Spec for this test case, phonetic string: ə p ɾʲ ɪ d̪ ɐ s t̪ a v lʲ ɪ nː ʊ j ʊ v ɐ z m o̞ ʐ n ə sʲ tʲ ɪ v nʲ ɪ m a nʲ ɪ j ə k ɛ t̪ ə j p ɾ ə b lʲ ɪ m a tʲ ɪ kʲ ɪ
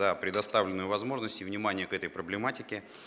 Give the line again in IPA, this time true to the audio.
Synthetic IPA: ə p ɾʲ ɪ d̪ ɐ s t̪ a v lʲ ɪ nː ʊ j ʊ v ɐ z m o̞ ʐ n ə sʲ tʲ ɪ v nʲ ɪ m a nʲ ɪ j ə k ɛ t̪ ə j p ɾ ə b lʲ ɪ m a tʲ ɪ kʲ ɪ